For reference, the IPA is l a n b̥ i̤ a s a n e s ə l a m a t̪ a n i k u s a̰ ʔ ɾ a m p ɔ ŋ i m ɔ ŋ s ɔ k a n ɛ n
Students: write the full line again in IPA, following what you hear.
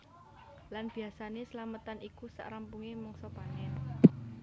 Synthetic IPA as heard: l a n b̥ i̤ a s a n e s ə l a m ə t̪ a n i k u s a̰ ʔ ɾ a m p u ŋ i m ɔ ŋ s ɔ p a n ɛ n